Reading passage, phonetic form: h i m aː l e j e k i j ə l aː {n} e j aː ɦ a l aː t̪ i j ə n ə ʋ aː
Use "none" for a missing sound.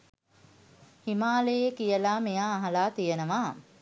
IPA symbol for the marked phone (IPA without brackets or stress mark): m